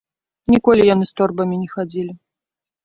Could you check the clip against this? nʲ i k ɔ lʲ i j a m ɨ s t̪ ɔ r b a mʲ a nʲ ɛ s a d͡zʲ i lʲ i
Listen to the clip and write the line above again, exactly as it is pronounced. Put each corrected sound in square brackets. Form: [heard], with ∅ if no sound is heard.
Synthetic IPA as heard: nʲ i k ɔ lʲ i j a [n] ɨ s t̪ ɔ r b [ɐ] mʲ [i] nʲ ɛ [x] a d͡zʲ i lʲ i

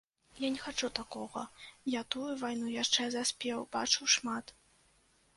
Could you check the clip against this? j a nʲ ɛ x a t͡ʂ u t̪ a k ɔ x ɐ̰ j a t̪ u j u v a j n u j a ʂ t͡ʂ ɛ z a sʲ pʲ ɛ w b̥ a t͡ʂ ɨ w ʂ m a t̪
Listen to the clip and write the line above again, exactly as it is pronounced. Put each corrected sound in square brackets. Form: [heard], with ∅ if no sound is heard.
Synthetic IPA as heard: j a nʲ ɛ x a t͡ʂ u t̪ a k ɔ [ɣ] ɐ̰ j a t̪ u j u v a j n u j a ʂ t͡ʂ ɛ z a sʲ pʲ ɛ w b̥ a t͡ʂ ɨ w ʂ m a t̪

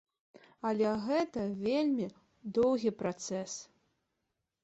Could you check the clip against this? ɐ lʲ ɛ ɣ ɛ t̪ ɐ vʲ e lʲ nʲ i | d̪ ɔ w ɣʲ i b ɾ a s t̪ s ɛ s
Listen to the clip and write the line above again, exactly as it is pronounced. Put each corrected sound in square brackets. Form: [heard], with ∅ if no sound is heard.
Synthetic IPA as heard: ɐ lʲ ɛ ɣ ɛ t̪ ɐ vʲ e lʲ [mʲ] i | d̪ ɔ w ɣʲ i [p] ɾ a [∅] t̪ s ɛ s

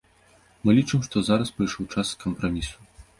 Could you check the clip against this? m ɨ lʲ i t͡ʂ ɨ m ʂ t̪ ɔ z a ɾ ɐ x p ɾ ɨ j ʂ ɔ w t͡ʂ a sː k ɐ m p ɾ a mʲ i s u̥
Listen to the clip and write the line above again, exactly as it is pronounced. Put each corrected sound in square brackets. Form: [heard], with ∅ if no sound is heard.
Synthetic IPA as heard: m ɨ lʲ i t͡ʂ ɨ m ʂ t̪ ɔ z a ɾ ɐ [s] p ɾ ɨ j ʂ ɔ w t͡ʂ a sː k ɐ m p ɾ a mʲ i s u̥

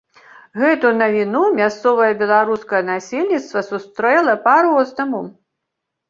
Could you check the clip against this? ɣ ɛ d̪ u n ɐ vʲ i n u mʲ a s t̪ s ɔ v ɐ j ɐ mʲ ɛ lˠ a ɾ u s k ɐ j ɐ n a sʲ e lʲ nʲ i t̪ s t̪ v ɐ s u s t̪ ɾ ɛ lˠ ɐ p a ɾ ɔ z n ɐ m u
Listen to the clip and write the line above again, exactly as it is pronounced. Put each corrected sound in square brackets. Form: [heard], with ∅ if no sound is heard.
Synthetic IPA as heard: ɣ ɛ [t̪] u n ɐ vʲ i n u mʲ a s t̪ s ɔ v ɐ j ɐ [bʲ] ɛ lˠ a ɾ u s k ɐ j ɐ n a sʲ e lʲ nʲ i t̪ s t̪ v ɐ s u s t̪ ɾ ɛ lˠ ɐ p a ɾ ɔ z n ɐ m u

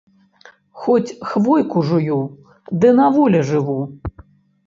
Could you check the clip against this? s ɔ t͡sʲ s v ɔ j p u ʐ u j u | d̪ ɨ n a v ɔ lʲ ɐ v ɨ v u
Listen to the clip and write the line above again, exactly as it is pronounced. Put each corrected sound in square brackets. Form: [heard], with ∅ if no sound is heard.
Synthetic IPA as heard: [x] ɔ t͡sʲ [x] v ɔ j [k] u ʐ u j u | d̪ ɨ n a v ɔ lʲ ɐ [ʐ] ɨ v u

